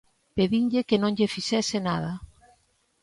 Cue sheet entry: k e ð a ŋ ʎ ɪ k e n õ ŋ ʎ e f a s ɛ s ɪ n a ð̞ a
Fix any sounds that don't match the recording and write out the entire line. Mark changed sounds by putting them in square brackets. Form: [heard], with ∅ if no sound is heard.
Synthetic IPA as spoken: [p] e ð [i] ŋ ʎ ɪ k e n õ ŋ ʎ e f [i] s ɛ s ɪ n a ð̞ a